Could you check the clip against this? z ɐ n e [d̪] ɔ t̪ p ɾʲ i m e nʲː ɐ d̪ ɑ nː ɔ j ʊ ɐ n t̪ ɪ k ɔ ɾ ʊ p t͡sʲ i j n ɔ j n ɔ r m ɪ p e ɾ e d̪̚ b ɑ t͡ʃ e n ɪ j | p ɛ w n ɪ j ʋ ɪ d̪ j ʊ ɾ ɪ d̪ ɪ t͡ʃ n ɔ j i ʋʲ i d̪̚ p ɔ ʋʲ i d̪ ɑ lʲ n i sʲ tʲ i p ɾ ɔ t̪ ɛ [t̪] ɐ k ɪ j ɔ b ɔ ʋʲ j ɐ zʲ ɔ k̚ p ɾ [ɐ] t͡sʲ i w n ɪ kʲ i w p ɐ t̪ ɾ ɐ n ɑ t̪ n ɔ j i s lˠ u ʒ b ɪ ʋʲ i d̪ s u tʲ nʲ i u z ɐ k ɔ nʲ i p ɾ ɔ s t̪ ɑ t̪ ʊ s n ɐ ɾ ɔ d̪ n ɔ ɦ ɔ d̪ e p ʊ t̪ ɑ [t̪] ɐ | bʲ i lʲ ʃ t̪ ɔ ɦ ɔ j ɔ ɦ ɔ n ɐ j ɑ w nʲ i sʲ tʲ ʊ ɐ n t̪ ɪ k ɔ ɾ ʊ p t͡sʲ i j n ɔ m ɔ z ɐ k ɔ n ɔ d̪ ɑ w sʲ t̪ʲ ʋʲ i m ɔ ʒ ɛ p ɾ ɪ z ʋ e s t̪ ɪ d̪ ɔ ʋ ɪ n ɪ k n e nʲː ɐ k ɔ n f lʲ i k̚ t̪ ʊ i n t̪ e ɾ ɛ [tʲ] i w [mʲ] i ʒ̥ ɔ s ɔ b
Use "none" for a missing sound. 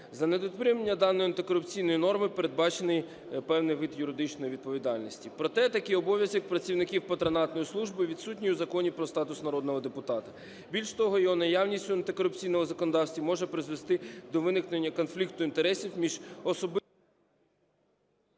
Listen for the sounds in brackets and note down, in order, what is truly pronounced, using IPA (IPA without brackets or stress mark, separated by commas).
d̪, t̪, ɐ, t̪, sʲ, mʲ